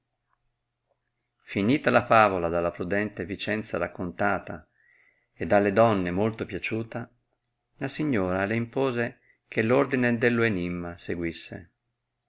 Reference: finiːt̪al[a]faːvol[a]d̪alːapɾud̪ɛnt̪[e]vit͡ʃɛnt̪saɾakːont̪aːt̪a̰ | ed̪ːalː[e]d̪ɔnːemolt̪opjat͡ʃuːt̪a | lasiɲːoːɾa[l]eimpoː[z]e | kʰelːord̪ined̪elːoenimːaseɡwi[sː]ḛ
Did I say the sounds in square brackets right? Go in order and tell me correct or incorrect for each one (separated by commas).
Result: correct, correct, correct, correct, correct, correct, correct